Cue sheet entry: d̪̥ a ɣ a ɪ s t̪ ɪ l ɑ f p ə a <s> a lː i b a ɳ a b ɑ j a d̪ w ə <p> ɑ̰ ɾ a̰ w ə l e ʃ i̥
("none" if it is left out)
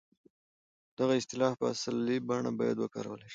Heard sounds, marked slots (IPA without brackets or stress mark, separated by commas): s, k